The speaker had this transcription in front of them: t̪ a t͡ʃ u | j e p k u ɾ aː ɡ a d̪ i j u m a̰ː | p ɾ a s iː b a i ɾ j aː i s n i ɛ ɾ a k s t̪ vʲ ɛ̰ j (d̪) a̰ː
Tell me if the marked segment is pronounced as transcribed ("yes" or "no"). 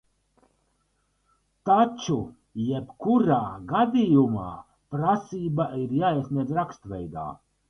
yes